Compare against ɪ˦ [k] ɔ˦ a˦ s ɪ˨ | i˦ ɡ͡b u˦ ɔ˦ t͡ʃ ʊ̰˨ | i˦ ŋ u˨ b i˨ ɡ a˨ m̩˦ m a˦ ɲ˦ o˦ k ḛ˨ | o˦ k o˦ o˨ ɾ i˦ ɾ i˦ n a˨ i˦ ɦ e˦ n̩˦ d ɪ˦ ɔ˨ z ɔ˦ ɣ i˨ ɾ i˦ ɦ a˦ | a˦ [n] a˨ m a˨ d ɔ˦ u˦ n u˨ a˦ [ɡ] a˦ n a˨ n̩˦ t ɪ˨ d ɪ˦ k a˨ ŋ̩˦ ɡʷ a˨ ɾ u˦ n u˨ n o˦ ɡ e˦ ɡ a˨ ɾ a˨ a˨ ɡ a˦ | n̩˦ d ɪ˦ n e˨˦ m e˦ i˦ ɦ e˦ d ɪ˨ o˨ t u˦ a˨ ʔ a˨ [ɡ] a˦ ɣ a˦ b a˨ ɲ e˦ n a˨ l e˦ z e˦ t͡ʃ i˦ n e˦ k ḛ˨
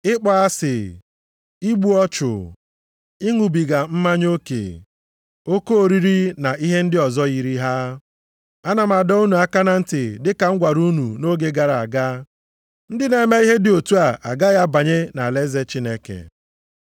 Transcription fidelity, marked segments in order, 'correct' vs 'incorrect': incorrect, correct, incorrect, correct

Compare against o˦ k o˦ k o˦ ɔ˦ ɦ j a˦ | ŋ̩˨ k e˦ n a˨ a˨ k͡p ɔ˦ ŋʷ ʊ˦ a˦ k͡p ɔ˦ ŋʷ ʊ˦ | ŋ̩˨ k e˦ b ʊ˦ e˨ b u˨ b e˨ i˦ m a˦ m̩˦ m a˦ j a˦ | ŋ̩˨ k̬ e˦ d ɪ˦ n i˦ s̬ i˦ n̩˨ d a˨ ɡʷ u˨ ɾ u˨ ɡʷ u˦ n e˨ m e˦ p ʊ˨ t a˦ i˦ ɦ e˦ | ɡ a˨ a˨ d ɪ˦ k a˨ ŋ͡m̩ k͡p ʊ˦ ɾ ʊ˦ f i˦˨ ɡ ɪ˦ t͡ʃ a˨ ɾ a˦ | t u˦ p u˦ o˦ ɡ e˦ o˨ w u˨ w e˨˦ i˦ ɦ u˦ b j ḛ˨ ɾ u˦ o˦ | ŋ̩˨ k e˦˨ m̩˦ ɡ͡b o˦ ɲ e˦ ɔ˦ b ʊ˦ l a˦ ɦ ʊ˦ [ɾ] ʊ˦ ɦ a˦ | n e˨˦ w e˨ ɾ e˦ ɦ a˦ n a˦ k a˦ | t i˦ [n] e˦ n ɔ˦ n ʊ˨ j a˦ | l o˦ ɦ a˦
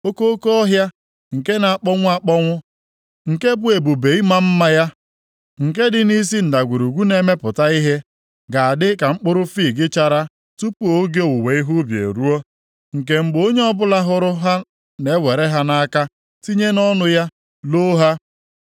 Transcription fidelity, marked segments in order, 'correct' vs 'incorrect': correct, incorrect

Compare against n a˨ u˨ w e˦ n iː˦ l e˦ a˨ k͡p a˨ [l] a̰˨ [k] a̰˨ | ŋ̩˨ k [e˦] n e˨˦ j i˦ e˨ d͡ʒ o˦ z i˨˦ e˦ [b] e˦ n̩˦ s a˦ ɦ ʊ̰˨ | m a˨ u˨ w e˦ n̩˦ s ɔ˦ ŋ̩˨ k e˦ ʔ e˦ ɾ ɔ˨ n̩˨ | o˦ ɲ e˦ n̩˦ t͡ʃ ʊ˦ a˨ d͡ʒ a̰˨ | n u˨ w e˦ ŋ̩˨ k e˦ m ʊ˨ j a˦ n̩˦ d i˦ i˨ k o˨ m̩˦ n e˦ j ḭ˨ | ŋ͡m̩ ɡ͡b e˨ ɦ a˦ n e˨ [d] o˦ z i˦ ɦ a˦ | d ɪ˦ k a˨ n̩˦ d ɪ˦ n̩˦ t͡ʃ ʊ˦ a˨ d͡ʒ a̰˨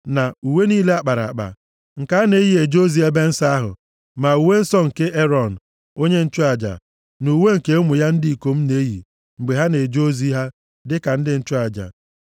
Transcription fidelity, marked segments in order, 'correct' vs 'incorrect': incorrect, incorrect, incorrect, correct, incorrect

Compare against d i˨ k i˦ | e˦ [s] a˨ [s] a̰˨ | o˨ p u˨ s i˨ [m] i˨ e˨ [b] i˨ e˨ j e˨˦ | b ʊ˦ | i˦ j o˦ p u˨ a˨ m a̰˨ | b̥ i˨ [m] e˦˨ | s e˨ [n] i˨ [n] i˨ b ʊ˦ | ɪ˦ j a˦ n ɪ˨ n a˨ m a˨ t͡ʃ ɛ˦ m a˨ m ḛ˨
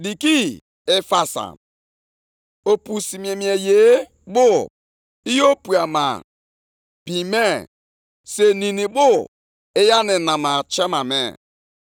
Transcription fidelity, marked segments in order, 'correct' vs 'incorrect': incorrect, correct, correct, incorrect, correct, correct, correct

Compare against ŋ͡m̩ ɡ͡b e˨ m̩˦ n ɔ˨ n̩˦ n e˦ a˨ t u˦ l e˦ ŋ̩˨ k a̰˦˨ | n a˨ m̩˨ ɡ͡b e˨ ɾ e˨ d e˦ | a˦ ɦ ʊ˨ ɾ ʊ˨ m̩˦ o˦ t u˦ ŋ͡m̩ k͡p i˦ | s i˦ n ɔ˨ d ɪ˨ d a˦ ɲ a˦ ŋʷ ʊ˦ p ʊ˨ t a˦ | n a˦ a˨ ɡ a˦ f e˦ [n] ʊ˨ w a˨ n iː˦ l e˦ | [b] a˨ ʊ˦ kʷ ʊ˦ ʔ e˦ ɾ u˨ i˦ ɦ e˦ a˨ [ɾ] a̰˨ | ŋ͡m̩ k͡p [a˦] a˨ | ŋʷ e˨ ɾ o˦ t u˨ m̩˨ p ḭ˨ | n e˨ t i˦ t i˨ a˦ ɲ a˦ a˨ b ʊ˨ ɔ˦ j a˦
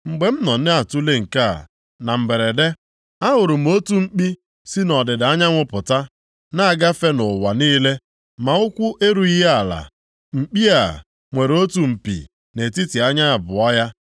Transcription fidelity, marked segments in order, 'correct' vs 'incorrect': correct, incorrect, incorrect, incorrect

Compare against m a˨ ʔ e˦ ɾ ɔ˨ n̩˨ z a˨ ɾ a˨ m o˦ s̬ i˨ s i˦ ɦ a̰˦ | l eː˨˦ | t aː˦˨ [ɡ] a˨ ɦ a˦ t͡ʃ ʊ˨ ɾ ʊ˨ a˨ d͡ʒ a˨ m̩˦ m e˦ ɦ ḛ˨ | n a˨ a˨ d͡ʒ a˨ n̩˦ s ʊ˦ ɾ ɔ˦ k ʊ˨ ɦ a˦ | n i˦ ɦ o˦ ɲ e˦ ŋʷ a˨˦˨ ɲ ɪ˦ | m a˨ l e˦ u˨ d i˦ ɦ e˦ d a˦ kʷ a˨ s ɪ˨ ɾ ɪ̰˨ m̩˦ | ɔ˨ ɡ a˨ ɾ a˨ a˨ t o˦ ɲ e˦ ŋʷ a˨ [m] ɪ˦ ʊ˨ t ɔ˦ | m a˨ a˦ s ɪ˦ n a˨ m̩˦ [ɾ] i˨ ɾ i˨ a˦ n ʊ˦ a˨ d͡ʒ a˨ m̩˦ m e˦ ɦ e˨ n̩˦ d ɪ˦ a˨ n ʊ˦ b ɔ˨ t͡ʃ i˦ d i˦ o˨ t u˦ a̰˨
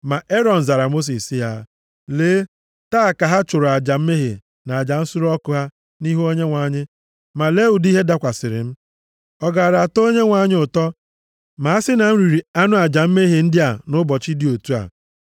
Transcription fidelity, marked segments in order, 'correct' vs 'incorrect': incorrect, incorrect, correct

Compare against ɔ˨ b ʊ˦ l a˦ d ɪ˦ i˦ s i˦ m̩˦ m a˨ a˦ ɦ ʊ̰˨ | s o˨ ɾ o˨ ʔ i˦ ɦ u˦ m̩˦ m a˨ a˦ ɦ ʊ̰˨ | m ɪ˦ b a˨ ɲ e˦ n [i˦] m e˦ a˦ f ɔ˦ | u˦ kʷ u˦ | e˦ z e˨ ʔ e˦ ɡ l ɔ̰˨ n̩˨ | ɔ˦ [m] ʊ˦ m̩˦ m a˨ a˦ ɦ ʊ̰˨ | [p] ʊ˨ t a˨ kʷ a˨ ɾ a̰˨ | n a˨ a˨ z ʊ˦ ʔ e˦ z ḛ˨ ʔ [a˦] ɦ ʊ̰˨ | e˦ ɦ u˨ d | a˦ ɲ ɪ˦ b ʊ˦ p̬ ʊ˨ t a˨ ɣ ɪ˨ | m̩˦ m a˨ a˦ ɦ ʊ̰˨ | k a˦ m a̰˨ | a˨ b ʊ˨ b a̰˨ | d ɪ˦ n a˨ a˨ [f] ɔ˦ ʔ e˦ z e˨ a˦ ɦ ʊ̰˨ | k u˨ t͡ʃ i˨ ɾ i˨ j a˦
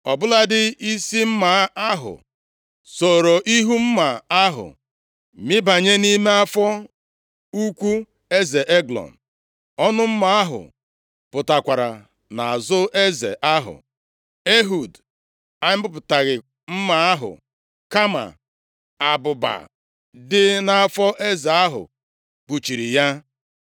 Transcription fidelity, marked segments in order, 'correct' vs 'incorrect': correct, incorrect, correct, correct, correct

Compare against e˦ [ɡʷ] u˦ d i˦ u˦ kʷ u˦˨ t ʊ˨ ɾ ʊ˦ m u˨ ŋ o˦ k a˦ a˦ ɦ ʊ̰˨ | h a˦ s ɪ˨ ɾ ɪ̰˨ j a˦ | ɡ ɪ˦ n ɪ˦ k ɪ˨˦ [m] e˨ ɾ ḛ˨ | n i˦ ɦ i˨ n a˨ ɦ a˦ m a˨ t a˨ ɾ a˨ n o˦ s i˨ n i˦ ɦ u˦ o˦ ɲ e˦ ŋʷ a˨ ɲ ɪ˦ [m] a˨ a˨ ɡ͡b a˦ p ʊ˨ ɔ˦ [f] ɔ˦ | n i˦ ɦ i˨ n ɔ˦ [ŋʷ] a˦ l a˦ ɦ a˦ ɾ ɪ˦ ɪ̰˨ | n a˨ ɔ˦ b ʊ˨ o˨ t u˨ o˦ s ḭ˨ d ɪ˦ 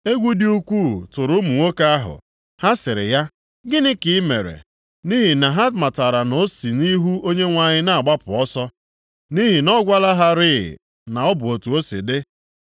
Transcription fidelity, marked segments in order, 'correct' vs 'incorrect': correct, correct, incorrect, incorrect, incorrect

